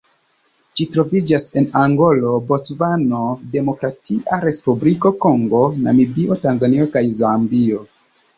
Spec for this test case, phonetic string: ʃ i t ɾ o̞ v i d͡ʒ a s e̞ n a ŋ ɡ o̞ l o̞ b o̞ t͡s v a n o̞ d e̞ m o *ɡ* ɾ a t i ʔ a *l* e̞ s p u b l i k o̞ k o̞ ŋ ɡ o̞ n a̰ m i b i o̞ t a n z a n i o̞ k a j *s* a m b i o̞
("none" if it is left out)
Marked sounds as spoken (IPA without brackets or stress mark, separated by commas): k, ɾ, z